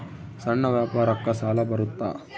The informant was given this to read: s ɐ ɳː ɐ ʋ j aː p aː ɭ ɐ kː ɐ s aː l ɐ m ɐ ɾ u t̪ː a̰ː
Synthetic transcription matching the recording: s ɐ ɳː ɐ ʋ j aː p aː ɾ ɐ kː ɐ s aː l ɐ b ɐ ɾ u t̪ː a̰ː